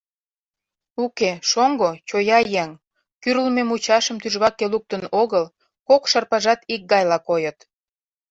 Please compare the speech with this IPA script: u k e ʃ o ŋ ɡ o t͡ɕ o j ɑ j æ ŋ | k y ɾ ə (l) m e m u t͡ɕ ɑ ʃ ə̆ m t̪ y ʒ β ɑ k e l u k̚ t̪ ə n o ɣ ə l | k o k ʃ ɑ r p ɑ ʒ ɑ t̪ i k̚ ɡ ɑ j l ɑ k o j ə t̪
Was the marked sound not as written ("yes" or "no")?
no